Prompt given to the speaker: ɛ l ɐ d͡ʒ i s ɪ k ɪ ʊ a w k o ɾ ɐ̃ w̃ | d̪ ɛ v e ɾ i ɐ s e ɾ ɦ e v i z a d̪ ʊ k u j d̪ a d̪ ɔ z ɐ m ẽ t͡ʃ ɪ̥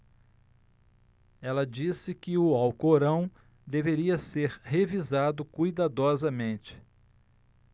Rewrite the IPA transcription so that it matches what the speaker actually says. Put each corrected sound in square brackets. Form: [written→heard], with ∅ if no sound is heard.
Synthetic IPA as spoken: ɛ l ɐ d͡ʒ i s ɪ k ɪ ʊ a w k o ɾ ɐ̃ w̃ | d̪ [ɛ→e] v e ɾ i ɐ s e ɾ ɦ e v i z a d̪ ʊ k u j d̪ a d̪ ɔ z ɐ m ẽ t͡ʃ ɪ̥

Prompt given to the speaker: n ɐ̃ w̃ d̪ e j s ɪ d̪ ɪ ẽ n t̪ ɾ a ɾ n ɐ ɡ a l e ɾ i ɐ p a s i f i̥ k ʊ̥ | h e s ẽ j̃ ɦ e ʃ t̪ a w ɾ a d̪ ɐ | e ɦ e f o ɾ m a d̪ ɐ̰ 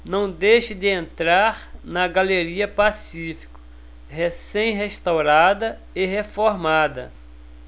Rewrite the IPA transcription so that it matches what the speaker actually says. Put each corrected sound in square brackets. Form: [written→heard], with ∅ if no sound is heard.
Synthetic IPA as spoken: n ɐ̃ w̃ d̪ e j [s→ʃ] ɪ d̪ ɪ ẽ n t̪ ɾ a ɾ n ɐ ɡ a l e ɾ i ɐ p a s i f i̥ k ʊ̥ | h e s ẽ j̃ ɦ e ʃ t̪ a w ɾ a d̪ ɐ | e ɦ e f o ɾ m a d̪ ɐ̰

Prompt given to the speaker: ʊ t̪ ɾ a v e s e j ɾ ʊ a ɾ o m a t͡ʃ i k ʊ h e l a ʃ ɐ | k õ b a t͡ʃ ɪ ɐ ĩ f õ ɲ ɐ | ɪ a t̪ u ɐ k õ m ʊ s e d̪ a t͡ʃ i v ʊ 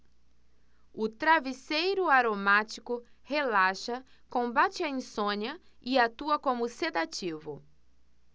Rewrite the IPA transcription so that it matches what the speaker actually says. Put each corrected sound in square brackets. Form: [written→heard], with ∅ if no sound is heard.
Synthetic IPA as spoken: ʊ t̪ ɾ a v [e→i] s e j ɾ ʊ a ɾ o m a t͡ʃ i k ʊ h e l a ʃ ɐ | k õ b a t͡ʃ ɪ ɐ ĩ [f→s] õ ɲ ɐ | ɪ a t̪ u ɐ k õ m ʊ s e d̪ a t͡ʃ i v ʊ

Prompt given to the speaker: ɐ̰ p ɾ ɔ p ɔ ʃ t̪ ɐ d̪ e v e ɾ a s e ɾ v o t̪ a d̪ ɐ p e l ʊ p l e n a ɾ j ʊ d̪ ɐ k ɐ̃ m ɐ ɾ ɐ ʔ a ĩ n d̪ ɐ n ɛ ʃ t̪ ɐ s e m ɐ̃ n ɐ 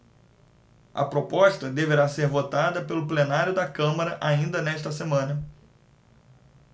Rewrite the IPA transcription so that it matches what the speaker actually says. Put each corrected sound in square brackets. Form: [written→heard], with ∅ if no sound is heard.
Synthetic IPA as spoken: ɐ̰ p ɾ [ɔ→o] p ɔ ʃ t̪ ɐ d̪ e v e ɾ a s e ɾ v o t̪ a d̪ ɐ p e l ʊ p l e n a ɾ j ʊ d̪ ɐ k ɐ̃ m ɐ ɾ ɐ ʔ a ĩ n d̪ ɐ n ɛ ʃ t̪ ɐ s e m ɐ̃ n ɐ

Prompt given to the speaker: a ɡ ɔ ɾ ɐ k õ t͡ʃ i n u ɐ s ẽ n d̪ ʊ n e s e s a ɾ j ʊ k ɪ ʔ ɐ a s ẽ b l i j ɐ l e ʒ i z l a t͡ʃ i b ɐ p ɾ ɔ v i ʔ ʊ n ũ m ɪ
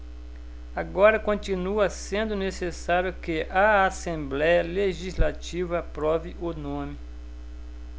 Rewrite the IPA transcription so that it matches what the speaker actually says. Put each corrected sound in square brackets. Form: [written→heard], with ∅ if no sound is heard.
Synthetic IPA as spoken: a ɡ ɔ ɾ ɐ k õ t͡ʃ i n u ɐ s ẽ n d̪ ʊ n e s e s a ɾ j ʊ k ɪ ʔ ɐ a s ẽ b l [i→ɛ] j ɐ l e ʒ i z l a t͡ʃ i [b→v] ɐ p ɾ ɔ v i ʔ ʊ n [ũ→õ] m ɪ

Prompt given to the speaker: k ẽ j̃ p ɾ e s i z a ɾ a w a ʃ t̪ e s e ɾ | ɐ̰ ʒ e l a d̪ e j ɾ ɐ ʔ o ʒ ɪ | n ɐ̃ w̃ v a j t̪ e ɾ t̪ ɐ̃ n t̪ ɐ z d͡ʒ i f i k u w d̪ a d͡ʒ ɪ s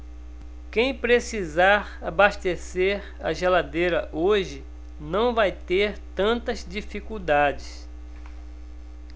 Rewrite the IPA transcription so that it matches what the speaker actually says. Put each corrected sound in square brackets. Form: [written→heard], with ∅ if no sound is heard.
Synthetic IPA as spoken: k ẽ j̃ p ɾ e s i z a ɾ a [w→b] a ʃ t̪ e s e ɾ | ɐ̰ ʒ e l a d̪ e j ɾ ɐ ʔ o ʒ ɪ | n ɐ̃ w̃ v a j t̪ e ɾ t̪ ɐ̃ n t̪ ɐ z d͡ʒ i f i k u w d̪ a d͡ʒ ɪ s

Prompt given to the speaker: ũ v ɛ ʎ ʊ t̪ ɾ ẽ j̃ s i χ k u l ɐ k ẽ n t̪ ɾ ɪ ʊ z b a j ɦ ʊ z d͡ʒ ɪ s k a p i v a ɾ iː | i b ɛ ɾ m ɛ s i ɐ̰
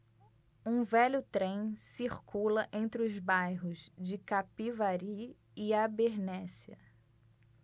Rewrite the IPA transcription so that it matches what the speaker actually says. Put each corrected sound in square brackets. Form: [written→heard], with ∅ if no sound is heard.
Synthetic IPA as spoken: ũ v ɛ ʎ ʊ t̪ ɾ ẽ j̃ s i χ k u l ɐ [k→ʔ] ẽ n t̪ ɾ ɪ ʊ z b a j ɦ ʊ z d͡ʒ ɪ [s→∅] k a p i v a ɾ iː | [i→a] b [ɛ→e] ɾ [m→n] ɛ s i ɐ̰

